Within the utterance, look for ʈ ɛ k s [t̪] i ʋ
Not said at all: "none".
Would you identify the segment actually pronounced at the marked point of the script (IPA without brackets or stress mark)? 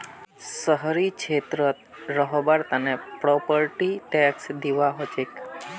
d̪